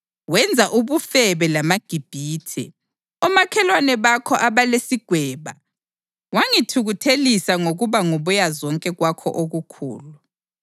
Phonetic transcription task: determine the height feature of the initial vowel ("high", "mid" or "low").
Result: mid